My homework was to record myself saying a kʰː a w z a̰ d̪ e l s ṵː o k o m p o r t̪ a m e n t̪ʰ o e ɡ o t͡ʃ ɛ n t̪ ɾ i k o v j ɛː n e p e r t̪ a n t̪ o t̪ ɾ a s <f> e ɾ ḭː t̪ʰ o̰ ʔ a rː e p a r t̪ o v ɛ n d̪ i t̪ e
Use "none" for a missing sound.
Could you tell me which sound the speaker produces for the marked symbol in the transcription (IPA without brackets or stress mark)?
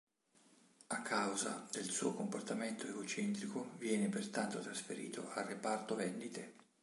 f